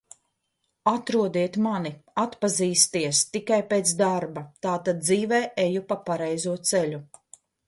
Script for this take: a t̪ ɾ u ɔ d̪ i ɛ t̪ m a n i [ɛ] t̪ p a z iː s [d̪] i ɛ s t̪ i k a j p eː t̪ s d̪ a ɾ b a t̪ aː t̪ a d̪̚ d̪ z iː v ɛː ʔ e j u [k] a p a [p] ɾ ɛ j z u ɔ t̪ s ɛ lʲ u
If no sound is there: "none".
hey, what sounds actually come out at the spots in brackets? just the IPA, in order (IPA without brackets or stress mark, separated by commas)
a, t̪, p, none